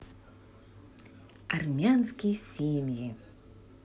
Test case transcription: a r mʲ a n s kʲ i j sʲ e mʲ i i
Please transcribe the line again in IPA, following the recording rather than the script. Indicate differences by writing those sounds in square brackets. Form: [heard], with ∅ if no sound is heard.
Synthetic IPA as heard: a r mʲ a n s kʲ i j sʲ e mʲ [j] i